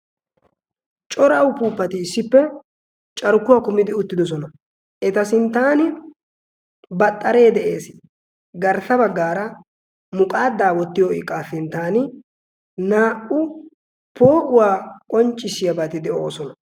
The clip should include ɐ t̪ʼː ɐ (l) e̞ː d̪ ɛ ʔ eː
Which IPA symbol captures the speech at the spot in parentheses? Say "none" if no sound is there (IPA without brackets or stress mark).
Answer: ɾ